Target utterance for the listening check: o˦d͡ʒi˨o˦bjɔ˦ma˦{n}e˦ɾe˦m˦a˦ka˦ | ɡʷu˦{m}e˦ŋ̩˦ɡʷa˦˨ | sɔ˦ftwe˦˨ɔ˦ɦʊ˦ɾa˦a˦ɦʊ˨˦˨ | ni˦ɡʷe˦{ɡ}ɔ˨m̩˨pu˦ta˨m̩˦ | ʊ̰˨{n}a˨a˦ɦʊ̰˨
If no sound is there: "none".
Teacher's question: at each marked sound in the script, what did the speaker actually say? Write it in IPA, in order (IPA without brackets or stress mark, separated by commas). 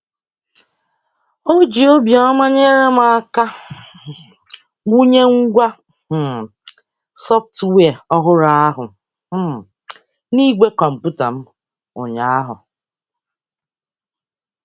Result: ɲ, ɲ, k, ɲ